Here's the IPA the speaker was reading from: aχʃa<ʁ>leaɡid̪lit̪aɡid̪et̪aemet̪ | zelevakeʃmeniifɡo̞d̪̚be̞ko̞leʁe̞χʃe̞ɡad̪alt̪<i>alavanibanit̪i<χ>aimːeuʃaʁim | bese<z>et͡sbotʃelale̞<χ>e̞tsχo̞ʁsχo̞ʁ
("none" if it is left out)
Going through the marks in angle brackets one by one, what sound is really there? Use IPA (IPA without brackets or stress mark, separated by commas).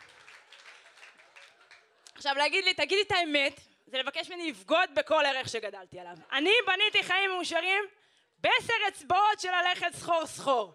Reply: v, i, χ, ʁ, χ